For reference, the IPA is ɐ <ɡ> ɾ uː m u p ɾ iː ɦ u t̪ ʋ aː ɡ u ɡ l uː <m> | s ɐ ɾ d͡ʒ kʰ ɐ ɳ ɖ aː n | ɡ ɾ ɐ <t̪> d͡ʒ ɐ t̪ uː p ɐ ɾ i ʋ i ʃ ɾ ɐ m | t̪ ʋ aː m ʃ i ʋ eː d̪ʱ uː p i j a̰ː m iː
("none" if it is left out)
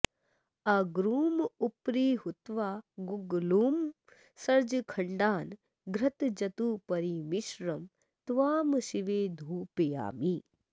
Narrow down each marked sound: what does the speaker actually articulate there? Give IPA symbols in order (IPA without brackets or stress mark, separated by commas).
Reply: ɡ, m, t̪